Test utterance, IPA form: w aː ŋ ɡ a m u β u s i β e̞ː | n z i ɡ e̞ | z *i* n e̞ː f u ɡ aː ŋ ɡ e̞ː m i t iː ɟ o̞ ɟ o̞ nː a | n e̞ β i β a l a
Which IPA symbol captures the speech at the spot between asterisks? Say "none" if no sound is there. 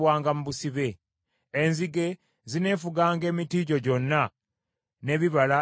i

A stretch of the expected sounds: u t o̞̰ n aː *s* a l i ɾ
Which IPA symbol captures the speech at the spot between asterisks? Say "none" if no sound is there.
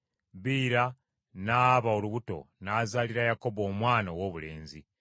z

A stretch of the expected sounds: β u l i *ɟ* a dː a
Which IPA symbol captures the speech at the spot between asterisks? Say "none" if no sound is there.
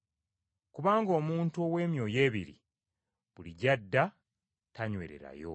ɟ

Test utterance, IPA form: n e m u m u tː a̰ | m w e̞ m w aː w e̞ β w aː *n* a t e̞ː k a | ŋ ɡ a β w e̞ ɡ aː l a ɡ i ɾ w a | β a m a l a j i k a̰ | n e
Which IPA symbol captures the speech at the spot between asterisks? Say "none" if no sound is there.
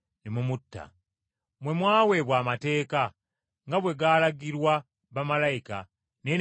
m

